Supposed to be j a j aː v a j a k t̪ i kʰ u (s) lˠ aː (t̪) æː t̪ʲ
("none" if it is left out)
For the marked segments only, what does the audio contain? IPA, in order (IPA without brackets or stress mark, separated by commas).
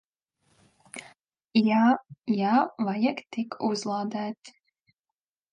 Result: z, d̪